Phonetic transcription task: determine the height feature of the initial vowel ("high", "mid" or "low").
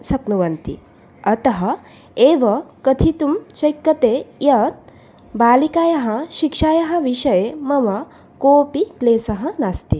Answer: low